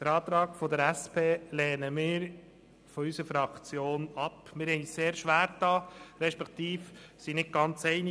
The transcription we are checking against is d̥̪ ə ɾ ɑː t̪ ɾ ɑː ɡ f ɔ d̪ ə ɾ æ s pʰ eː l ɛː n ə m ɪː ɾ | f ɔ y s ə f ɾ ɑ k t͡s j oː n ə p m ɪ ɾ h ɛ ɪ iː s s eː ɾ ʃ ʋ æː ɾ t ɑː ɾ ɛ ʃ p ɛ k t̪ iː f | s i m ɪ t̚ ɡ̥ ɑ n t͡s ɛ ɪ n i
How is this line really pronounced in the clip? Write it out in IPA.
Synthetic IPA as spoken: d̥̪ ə ɾ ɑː t̪ ɾ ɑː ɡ f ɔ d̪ ə ɾ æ s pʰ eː l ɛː n ə m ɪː ɾ | f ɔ y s ə f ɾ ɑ k t͡s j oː n ɑ p m ɪ ɾ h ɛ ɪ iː s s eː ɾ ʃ ʋ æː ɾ t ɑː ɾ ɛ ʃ p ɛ k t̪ iː f | s i n ɪ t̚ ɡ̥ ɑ n t͡s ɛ ɪ n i